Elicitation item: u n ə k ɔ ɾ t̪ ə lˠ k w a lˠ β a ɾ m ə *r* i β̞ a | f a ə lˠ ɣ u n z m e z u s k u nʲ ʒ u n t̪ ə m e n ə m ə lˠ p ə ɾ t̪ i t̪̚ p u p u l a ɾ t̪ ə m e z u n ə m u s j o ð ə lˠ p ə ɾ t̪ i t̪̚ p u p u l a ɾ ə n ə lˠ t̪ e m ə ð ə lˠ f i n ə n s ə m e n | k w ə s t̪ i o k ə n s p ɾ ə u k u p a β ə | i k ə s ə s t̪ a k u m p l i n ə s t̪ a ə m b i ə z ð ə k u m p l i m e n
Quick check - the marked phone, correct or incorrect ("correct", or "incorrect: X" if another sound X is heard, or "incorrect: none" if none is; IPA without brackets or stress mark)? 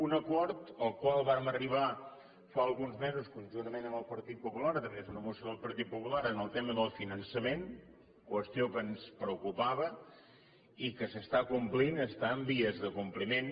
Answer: correct